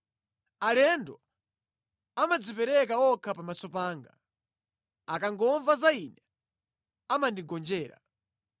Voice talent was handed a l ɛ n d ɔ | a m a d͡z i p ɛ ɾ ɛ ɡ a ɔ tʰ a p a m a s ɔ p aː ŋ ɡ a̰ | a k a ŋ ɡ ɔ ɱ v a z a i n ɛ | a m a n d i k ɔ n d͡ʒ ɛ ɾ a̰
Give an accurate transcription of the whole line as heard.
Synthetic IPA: a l ɛ n d ɔ | a m a d͡z i p ɛ ɾ ɛ k a ɔ kʰ a p a m a s ɔ p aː ŋ ɡ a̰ | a k a ŋ ɡ ɔ ɱ v a z a i n ɛ | a m a n d i ɡ ɔ n d͡ʒ ɛː ɾ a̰